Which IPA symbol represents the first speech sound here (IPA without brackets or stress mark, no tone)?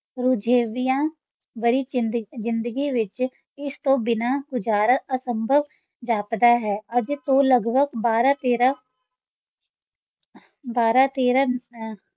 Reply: ɾ